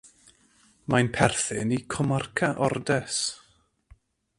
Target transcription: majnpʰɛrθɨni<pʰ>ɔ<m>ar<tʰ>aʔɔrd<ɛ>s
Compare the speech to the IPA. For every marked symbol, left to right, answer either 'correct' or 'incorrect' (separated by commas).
incorrect, correct, incorrect, correct